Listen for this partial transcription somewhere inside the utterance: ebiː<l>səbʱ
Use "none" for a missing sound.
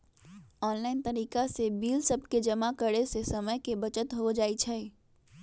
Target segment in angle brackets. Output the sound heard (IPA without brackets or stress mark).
l